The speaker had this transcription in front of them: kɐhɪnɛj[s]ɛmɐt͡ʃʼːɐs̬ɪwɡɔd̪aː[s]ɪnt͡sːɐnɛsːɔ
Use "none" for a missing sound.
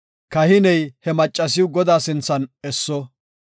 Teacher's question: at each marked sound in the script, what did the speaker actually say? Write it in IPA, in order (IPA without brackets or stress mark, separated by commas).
h, s